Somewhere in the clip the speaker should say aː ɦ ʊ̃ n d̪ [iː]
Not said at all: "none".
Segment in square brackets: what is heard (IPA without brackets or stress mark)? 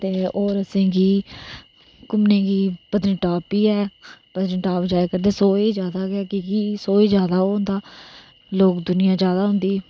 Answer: iː